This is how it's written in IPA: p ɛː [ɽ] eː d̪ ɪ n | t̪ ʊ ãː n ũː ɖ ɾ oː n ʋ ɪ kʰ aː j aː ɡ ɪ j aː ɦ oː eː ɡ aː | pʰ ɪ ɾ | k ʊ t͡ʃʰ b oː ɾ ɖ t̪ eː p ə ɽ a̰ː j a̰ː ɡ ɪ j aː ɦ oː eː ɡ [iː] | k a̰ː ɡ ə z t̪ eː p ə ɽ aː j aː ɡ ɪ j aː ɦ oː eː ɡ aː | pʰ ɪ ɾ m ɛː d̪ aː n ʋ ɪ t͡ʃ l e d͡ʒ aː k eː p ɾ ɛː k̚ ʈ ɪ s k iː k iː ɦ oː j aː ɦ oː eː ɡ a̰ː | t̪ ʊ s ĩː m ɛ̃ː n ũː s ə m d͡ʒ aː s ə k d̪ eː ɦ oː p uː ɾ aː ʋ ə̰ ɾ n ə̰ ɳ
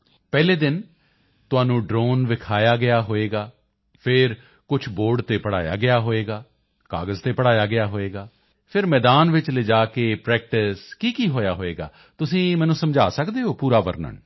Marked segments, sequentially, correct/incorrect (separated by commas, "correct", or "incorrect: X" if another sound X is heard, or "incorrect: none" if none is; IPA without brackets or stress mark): incorrect: l, incorrect: aː